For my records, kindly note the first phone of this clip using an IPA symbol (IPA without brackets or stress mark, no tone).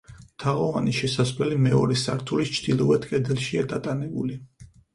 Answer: t̪ʰ